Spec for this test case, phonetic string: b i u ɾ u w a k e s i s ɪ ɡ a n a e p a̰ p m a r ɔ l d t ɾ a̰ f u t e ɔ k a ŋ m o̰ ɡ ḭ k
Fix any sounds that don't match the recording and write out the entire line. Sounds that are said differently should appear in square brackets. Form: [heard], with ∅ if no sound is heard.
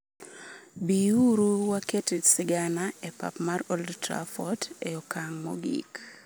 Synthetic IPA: b i u ɾ u w a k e [t] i s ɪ ɡ a n a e p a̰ p m a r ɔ l d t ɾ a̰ f [ɔ] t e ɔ k a ŋ m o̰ ɡ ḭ k